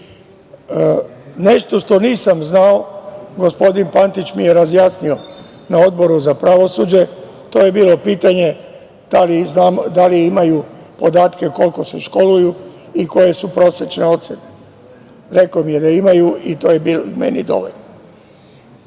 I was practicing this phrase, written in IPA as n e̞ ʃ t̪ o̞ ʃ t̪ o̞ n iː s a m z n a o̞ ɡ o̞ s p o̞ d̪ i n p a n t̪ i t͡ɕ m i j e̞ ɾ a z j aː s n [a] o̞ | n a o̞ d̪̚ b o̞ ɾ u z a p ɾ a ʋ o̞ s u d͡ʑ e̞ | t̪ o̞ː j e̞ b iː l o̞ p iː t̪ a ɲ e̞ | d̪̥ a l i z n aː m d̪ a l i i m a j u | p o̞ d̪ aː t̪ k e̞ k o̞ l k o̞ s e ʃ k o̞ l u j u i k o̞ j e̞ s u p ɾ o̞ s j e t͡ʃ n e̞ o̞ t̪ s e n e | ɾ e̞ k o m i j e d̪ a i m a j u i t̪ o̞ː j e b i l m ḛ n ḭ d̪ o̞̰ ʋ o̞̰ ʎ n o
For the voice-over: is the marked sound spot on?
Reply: no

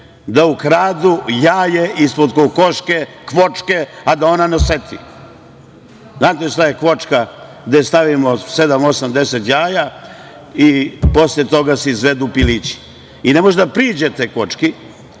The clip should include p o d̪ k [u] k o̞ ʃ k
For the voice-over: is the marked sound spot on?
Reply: no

